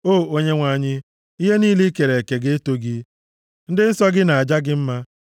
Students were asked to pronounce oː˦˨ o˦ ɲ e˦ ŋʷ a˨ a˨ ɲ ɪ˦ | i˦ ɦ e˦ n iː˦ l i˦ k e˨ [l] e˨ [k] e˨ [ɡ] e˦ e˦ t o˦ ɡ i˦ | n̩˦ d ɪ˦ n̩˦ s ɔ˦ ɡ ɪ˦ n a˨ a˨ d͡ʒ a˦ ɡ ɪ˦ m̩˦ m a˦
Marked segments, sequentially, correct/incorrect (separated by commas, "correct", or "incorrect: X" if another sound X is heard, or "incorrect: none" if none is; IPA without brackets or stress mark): incorrect: ɾ, correct, correct